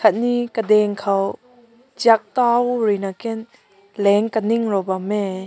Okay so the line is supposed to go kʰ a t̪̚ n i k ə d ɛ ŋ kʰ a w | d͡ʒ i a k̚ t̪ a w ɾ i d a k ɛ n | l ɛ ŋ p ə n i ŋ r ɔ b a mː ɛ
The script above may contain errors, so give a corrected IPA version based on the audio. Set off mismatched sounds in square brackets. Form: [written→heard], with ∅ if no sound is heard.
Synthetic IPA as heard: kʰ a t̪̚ n i k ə d ɛ ŋ kʰ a w | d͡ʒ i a k̚ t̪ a w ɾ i [d→n] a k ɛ n | l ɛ ŋ [p→k] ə n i ŋ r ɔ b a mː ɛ